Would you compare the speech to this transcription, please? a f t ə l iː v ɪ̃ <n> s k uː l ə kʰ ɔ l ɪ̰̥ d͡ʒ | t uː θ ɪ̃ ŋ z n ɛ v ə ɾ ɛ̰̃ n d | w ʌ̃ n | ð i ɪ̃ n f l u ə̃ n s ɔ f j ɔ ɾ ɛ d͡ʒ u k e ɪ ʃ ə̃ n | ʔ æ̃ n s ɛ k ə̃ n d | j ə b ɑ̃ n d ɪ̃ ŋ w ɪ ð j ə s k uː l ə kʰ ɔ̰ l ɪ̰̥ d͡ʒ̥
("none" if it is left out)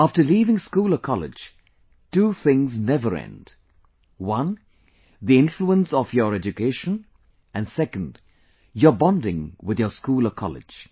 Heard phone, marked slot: ŋ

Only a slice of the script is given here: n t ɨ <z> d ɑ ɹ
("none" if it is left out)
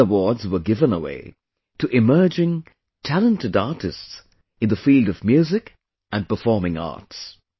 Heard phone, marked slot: none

